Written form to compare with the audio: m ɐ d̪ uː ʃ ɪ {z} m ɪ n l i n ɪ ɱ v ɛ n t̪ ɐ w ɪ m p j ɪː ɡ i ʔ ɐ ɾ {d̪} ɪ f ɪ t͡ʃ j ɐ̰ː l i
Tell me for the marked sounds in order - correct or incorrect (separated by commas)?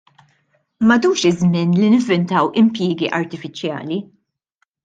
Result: correct, incorrect